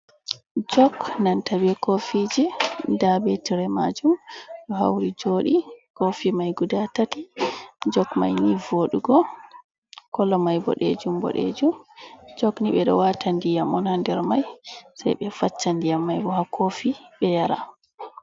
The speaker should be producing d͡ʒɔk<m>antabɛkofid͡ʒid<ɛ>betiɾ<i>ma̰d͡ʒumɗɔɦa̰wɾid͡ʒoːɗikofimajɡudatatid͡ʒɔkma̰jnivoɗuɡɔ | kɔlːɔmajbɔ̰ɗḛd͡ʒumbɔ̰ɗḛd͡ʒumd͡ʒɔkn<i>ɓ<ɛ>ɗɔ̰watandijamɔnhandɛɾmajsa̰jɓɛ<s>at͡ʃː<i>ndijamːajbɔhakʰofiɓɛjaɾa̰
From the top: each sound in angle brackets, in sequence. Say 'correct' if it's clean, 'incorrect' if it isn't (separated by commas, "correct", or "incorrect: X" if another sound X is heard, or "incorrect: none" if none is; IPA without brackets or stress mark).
incorrect: n, incorrect: a, incorrect: ɛ, correct, correct, incorrect: f, incorrect: a